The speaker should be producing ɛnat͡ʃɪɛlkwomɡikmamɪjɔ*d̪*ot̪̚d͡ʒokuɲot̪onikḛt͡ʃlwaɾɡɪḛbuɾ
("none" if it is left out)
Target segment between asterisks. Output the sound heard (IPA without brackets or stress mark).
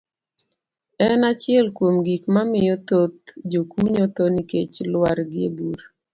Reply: t̪